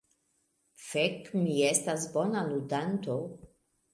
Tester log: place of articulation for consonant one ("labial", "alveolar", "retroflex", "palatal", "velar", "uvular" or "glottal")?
labial